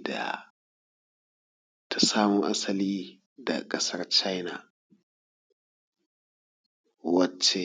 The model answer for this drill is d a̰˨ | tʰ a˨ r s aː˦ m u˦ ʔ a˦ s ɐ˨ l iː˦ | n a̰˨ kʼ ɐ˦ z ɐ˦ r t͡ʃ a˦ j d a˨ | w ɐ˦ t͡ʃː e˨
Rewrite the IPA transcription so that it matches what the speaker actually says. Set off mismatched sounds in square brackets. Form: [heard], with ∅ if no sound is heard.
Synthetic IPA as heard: d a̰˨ | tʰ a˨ [∅] s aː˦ m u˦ ʔ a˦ s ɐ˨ l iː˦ | [d] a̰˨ kʼ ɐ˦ [s] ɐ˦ r t͡ʃ a˦ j [n] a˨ | w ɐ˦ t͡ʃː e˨

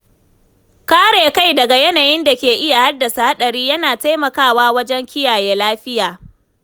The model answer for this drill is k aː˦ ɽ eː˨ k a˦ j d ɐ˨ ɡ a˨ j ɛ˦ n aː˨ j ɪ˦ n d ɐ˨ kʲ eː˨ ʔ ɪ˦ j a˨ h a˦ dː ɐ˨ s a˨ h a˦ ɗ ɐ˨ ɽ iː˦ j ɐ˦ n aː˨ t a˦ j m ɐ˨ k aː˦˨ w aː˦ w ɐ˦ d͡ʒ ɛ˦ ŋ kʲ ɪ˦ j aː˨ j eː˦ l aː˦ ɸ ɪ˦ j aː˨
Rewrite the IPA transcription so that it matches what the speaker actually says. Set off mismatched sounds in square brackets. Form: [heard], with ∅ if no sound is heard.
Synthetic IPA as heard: k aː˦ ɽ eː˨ k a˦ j d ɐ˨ ɡ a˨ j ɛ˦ n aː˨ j ɪ˦ n d [a˨] kʲ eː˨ ʔ ɪ˦ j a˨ h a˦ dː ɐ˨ s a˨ h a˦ ɗ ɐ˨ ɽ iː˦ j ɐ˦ n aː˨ t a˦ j m ɐ˨ k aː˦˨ w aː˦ w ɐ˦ d͡ʒ ɛ˦ ŋ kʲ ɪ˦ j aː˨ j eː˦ l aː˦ ɸ ɪ˦ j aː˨

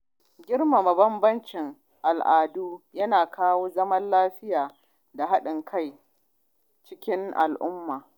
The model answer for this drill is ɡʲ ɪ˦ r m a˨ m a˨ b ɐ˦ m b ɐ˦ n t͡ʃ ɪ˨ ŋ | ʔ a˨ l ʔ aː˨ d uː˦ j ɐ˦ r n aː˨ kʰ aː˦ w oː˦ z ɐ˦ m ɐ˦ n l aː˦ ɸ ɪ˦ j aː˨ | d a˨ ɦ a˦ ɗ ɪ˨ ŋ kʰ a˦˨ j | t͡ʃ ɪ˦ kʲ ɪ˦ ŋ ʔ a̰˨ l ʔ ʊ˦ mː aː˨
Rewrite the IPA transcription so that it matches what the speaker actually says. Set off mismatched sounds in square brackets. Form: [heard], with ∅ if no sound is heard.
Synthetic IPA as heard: ɡʲ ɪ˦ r m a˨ m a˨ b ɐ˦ m b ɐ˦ n t͡ʃ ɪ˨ ŋ | ʔ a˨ l ʔ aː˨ d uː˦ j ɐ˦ [∅] n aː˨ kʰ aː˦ w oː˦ z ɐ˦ m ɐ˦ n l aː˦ ɸ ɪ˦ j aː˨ | d a˨ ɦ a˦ ɗ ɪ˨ ŋ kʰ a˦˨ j | t͡ʃ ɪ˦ kʲ ɪ˦ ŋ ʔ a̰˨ l ʔ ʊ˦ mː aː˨

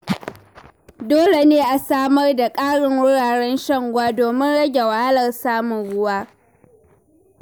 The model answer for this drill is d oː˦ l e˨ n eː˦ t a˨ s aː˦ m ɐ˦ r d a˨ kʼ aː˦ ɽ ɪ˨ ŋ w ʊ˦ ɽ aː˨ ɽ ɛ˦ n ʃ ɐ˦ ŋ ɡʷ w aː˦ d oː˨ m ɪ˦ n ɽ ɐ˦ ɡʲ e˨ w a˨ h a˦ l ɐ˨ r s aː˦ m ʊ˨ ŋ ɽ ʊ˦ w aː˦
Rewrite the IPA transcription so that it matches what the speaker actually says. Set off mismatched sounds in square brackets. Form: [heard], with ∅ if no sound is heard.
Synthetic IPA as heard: d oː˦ l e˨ n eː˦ [ʔ] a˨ s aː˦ m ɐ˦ r d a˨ kʼ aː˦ ɽ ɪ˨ ŋ w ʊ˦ ɽ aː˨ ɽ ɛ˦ n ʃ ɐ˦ ŋ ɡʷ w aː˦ d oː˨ m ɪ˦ n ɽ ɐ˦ ɡʲ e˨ w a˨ h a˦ l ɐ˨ r s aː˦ m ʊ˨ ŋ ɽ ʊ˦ w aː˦

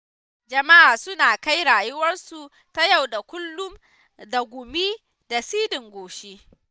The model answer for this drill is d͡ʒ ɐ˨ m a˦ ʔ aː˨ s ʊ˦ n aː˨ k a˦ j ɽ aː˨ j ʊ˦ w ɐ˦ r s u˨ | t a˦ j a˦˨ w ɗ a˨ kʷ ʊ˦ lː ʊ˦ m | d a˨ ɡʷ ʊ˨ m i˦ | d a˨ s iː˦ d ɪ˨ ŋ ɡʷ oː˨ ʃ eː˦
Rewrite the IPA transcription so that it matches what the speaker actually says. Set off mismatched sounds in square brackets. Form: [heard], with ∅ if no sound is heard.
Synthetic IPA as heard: d͡ʒ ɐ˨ m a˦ ʔ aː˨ s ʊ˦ n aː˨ k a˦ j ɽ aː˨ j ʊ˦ w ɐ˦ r s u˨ | t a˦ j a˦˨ w ɗ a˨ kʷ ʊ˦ lː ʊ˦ m | d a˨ ɡʷ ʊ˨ m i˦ | d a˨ s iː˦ d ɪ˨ ŋ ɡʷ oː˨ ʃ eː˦

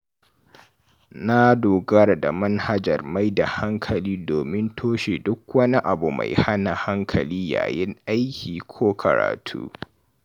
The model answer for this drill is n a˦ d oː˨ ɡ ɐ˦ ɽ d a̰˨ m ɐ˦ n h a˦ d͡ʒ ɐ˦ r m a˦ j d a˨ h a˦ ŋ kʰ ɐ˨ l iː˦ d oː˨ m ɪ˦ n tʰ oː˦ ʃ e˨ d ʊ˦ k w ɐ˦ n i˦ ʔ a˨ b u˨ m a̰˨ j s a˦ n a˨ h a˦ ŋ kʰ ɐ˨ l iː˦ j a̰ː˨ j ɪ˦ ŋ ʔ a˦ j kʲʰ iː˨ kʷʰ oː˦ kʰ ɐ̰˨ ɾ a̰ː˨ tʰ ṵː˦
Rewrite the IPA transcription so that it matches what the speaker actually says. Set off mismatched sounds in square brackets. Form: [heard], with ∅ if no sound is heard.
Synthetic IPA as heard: n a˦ d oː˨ ɡ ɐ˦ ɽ d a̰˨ m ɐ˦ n h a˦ d͡ʒ [ɐ˨] r m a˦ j d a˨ h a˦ ŋ kʰ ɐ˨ l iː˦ d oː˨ m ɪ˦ n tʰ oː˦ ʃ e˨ d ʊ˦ k w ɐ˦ n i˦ ʔ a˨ b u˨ m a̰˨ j [h] a˦ n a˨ h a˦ ŋ kʰ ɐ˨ l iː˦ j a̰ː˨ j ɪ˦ ŋ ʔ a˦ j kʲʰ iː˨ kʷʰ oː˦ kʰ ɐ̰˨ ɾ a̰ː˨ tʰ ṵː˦

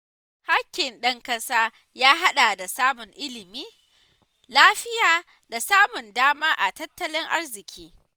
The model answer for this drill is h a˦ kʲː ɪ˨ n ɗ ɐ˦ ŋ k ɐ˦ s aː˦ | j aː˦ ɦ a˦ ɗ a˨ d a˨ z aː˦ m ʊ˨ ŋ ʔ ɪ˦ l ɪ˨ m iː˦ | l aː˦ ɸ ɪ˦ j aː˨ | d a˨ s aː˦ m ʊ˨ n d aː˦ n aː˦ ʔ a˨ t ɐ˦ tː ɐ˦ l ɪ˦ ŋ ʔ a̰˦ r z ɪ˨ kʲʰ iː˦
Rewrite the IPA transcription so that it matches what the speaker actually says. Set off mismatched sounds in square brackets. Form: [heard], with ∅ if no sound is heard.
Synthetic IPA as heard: h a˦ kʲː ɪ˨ n ɗ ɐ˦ ŋ k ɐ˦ s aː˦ | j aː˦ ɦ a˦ ɗ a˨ d a˨ [s] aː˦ m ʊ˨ ŋ ʔ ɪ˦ l ɪ˨ m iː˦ | l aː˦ ɸ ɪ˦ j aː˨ | d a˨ s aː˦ m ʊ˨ n d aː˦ [m] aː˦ ʔ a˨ t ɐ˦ tː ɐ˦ l ɪ˦ ŋ ʔ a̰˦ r z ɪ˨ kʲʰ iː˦

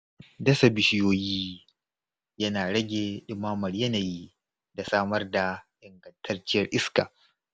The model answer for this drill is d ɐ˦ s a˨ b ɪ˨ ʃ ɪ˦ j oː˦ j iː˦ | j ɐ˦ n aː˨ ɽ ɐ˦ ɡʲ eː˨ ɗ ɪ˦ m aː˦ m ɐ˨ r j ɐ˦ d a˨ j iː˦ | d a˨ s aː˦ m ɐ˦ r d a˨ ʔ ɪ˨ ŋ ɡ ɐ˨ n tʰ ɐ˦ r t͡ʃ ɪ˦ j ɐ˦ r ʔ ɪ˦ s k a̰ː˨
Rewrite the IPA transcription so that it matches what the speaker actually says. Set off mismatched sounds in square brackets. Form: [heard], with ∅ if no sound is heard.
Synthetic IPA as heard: d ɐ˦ s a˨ b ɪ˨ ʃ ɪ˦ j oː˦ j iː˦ | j ɐ˦ n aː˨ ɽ ɐ˦ ɡʲ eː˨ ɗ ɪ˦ m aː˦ m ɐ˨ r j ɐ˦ [n] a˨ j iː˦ | d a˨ s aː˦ m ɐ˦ r d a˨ ʔ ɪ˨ ŋ ɡ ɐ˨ n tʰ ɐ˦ r t͡ʃ ɪ˦ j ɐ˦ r ʔ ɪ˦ s k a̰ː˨

